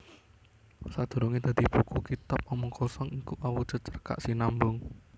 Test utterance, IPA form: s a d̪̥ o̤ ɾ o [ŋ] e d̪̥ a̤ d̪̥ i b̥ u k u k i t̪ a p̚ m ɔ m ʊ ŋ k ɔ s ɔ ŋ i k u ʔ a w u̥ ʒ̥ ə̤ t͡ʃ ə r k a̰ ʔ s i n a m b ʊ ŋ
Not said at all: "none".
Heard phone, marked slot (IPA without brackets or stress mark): ŋ